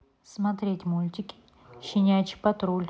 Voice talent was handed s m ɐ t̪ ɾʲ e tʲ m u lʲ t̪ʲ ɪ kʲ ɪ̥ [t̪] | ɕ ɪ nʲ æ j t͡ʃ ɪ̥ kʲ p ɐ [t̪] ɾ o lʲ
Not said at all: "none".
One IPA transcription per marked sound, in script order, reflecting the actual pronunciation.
none, t̪

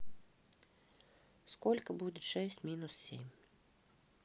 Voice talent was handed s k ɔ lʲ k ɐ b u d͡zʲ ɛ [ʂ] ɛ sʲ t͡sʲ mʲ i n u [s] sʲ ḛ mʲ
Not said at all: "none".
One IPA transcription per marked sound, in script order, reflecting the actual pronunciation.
ʂ, s

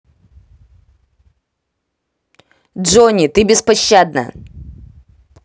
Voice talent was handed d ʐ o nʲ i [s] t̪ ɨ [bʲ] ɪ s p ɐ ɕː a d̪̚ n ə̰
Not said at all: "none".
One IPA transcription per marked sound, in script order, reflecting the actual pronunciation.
none, bʲ

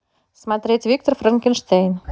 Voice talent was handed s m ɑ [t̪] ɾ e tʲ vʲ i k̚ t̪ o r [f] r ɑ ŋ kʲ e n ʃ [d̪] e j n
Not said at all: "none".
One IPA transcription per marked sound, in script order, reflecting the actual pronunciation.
t̪, f, t̪

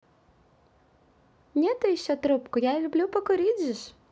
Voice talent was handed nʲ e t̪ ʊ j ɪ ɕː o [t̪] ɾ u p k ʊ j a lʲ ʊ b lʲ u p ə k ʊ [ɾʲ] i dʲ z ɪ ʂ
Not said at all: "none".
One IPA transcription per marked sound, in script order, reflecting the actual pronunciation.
t̪, ɾʲ

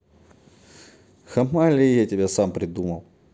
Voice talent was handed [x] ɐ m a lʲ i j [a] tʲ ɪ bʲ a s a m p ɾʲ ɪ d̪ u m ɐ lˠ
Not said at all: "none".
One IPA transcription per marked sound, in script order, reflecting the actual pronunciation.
x, a

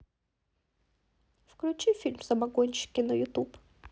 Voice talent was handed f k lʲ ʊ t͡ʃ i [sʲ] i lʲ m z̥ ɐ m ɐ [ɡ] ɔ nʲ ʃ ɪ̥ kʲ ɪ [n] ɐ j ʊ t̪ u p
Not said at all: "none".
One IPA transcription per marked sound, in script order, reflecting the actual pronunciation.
fʲ, ɡ, n

